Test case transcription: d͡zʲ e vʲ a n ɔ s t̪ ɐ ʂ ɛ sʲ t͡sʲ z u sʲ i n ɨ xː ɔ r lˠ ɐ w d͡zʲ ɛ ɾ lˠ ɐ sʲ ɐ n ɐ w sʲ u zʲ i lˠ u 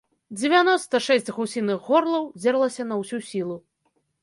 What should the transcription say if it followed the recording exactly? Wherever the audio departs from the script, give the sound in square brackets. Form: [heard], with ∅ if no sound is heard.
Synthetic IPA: d͡zʲ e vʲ a n ɔ s t̪ ɐ ʂ ɛ sʲ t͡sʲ [ɣ] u sʲ i n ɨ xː ɔ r lˠ ɐ w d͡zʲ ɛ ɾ lˠ ɐ sʲ ɐ n ɐ w sʲ u [sʲ] i lˠ u